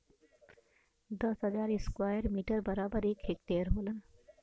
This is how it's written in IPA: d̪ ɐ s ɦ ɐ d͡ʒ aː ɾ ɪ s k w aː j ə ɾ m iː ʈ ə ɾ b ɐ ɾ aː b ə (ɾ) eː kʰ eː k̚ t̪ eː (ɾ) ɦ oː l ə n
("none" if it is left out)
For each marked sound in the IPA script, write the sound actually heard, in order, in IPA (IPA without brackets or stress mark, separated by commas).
ɾ, ɾ